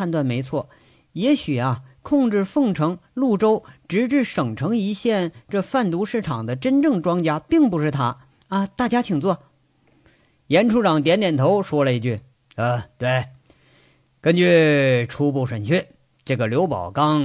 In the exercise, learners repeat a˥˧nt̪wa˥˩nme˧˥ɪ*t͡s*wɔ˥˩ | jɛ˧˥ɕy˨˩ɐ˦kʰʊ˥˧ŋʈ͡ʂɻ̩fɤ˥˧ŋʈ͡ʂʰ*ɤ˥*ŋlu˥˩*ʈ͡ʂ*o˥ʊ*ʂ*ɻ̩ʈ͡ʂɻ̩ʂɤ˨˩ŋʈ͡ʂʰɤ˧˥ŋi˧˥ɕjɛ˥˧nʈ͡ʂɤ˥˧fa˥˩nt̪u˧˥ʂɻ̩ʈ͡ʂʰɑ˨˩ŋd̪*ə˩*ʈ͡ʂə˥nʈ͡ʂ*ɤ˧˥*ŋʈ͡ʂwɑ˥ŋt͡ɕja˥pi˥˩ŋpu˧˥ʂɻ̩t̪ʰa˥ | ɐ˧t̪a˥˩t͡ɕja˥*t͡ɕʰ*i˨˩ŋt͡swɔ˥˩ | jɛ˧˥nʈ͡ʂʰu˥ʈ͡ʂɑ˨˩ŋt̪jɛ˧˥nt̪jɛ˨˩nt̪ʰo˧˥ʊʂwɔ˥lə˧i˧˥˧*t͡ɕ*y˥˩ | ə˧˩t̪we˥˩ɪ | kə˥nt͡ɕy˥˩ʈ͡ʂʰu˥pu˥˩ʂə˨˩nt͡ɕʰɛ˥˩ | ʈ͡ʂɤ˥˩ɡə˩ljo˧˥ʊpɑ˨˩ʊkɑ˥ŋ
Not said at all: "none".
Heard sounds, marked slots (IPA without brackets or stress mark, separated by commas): t͡sʰ, ɤ˧˥, ʈ͡ʂ, ʈ͡ʂ, ə˦, ɤ˥˩, t͡ɕʰ, t͡ɕ